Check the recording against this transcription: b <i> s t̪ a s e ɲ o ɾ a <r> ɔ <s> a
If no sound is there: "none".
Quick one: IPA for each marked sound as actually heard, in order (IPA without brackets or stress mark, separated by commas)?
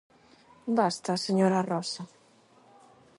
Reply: a, r, s